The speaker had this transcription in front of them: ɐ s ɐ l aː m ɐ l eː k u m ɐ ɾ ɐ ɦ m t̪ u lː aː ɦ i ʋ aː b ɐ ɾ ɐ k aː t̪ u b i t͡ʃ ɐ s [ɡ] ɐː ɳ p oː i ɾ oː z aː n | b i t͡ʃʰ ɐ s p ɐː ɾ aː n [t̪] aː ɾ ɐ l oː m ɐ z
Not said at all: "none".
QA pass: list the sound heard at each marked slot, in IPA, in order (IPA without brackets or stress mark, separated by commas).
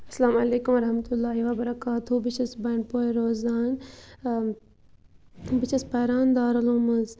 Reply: b, d̪